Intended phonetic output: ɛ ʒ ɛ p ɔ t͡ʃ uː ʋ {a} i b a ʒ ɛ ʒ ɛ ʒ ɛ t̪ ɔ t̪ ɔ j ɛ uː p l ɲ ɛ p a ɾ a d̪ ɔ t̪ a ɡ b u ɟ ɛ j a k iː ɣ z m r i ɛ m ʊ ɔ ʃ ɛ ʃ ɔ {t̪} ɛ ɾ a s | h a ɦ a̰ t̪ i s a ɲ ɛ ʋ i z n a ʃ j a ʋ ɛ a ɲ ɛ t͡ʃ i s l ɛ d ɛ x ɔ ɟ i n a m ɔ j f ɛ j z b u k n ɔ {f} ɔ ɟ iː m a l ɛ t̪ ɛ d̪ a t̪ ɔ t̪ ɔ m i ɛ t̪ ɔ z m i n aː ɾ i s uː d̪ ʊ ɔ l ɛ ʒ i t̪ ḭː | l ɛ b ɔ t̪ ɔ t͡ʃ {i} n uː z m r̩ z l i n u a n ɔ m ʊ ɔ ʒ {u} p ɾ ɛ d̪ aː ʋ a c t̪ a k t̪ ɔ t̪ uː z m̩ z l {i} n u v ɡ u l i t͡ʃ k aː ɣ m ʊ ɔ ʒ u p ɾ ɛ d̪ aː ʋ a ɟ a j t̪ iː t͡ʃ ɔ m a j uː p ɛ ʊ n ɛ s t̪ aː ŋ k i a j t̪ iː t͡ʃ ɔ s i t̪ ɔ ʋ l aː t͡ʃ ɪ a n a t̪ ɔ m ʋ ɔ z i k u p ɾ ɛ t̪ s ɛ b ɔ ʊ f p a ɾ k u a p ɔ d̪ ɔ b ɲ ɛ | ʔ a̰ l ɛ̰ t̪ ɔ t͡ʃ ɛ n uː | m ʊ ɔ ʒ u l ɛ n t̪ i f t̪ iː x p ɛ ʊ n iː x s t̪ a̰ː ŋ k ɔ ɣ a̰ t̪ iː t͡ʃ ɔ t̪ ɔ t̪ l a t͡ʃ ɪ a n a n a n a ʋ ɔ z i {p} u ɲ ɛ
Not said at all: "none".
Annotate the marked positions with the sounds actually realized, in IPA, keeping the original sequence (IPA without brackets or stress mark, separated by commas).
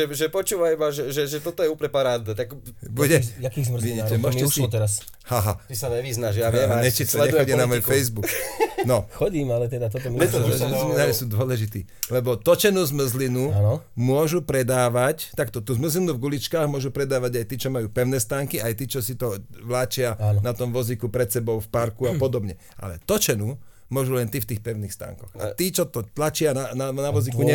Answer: a, t̪, x, ɛ, u, i, k